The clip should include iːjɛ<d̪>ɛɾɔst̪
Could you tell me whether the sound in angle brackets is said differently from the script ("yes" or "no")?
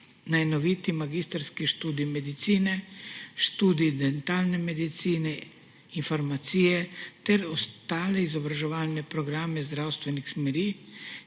yes